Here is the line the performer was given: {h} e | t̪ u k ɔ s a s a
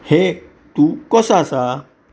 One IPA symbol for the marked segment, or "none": h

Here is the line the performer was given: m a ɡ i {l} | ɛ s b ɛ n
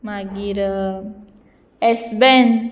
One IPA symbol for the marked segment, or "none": ɾ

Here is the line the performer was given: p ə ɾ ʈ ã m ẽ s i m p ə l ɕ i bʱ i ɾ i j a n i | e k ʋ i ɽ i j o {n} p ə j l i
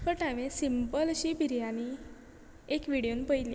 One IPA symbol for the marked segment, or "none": n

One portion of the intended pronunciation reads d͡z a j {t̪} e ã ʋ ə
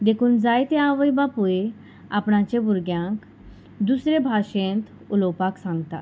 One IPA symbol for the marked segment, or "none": t̪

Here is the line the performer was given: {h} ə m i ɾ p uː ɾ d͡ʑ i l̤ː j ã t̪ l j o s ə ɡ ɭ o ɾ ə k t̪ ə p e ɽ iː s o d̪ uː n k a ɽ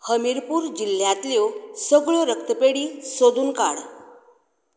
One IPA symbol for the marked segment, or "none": h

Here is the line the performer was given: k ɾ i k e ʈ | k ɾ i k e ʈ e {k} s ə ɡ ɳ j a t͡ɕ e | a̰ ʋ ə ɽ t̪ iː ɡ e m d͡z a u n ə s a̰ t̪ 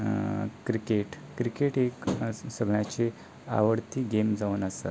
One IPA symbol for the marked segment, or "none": k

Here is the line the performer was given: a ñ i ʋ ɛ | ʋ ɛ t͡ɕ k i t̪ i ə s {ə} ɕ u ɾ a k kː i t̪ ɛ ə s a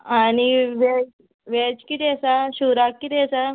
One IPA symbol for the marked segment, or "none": a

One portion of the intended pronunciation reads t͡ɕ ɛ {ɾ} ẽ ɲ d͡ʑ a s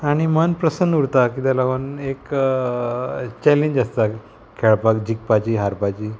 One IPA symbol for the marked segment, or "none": l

